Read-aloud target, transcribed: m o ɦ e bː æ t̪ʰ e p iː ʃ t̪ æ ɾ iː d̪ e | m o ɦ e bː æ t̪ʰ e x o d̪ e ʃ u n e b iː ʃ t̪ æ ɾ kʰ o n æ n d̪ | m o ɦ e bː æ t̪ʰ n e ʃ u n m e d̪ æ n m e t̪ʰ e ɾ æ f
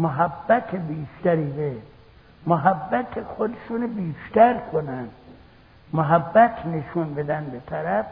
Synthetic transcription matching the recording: m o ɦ æ bː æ t̪ʰ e b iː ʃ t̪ æ ɾ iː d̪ e | m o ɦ æ bː æ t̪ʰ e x o d̪ e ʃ u n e b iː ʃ t̪ æ ɾ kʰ o n æ n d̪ | m o ɦ æ bː æ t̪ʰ n e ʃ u n b e d̪ æ n b e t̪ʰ æ ɾ æ f